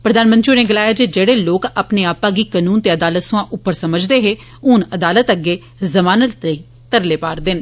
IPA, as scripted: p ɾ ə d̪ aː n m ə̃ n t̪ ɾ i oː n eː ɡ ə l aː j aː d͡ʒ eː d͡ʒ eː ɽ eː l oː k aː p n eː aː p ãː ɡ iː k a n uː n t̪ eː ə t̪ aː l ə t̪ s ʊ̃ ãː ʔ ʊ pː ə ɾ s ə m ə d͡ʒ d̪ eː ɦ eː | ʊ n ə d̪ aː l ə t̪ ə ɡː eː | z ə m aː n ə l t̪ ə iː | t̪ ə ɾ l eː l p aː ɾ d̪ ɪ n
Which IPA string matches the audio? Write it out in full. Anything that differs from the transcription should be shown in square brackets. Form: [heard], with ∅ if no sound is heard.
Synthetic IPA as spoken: p ɾ ə d̪ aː n m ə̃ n t̪ ɾ i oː n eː ɡ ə l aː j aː d͡ʒ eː d͡ʒ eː ɽ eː l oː k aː p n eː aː p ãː ɡ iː k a n uː n t̪ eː ə [d̪] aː l ə t̪ s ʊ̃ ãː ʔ ʊ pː ə ɾ s ə m ə d͡ʒ d̪ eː ɦ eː | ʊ n ə d̪ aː l ə t̪ ə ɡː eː | z ə m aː n ə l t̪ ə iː | t̪ ə ɾ l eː [∅] p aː ɾ d̪ ɪ n